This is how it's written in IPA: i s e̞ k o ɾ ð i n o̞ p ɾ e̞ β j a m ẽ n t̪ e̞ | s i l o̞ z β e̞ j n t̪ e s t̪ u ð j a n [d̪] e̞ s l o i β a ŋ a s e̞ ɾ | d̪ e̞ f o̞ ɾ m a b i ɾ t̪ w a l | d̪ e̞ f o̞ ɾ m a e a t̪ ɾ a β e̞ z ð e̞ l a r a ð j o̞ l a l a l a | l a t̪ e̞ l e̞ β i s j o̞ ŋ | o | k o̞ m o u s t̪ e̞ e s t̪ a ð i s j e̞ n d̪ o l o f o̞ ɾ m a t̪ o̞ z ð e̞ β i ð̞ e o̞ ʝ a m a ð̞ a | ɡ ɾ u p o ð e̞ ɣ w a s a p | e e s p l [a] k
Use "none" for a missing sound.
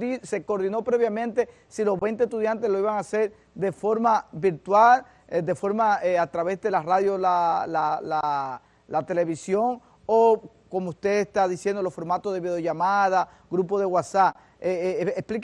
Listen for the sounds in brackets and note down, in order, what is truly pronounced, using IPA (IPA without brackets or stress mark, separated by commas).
t̪, i